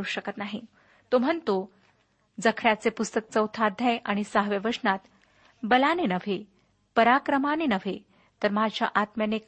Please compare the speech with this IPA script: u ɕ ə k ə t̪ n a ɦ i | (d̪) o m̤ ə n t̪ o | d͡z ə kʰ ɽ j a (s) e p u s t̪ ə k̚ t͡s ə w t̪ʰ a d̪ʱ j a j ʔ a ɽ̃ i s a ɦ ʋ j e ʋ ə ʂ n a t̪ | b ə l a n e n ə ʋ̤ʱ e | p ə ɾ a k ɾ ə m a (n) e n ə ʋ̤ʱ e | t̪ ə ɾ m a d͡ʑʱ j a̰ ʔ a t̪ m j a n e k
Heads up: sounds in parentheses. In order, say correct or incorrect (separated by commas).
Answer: incorrect, incorrect, correct